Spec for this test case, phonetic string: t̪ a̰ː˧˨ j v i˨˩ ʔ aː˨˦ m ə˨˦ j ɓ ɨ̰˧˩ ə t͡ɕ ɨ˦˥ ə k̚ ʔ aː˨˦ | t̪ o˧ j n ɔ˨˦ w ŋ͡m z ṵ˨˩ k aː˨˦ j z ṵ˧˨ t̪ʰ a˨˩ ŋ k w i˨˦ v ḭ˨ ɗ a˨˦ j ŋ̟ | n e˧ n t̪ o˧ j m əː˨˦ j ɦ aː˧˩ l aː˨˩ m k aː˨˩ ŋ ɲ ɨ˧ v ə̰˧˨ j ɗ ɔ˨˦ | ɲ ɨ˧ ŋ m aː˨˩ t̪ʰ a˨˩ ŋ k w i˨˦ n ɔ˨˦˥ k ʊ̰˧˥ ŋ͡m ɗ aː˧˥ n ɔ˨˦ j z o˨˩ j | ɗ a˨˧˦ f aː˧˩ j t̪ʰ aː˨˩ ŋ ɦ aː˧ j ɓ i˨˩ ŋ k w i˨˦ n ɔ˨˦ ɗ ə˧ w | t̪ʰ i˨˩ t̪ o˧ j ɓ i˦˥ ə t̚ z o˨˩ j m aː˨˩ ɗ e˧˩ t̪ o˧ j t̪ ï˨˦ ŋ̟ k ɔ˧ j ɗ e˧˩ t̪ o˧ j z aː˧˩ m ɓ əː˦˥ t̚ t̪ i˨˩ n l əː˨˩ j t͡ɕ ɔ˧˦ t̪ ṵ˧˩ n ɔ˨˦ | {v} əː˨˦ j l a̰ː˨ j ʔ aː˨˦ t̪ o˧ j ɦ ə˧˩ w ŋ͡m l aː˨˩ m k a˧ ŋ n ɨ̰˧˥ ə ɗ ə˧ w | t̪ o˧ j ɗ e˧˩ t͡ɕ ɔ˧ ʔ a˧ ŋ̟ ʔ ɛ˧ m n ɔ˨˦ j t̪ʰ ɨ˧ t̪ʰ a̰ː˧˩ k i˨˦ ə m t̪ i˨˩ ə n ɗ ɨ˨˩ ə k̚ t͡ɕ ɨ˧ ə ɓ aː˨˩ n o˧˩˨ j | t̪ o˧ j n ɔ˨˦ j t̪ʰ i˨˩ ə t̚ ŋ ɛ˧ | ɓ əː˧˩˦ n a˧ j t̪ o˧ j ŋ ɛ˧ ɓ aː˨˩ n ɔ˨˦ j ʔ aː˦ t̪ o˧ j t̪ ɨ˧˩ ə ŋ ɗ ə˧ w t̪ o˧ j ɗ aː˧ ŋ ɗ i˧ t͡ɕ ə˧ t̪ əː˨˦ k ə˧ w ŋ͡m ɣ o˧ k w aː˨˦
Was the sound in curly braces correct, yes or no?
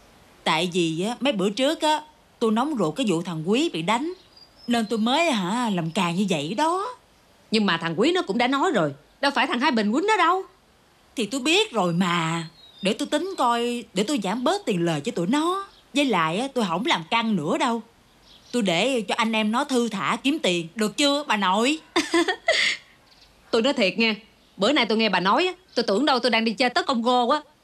no